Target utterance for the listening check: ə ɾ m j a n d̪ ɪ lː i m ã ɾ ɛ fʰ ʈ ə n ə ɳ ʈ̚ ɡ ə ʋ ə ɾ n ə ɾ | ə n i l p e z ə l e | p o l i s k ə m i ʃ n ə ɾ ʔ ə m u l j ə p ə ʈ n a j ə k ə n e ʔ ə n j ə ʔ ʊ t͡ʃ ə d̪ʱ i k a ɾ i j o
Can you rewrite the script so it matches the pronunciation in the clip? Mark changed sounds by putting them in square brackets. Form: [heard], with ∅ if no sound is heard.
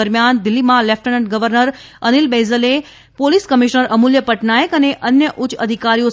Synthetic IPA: ə ɾ m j a n d̪ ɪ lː i m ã [l] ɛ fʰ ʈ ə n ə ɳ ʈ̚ ɡ ə ʋ ə ɾ n ə ɾ | ə n i l [b] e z ə l e | p o l i s k ə m i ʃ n ə ɾ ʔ ə m u l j ə p ə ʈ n a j ə k ə n e ʔ ə n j ə ʔ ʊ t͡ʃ ə d̪ʱ i k a ɾ i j o